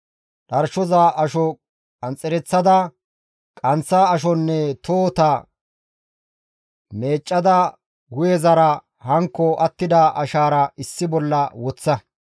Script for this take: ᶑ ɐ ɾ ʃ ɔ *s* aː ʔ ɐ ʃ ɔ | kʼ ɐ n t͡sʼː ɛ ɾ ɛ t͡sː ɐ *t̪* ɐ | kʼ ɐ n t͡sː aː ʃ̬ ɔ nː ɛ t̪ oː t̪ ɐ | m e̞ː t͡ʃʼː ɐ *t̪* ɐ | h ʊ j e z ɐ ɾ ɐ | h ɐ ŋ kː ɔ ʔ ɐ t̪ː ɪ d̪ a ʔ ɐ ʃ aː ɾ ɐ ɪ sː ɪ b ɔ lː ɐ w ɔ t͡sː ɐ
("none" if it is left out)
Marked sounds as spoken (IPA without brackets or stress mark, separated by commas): z, d̪, d̪